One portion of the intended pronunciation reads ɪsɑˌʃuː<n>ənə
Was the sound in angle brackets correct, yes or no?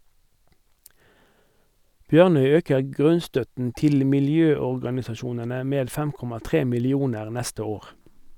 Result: yes